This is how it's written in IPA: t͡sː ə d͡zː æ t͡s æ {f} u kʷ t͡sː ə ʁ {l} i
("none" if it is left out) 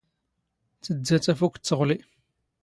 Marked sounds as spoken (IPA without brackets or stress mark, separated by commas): f, l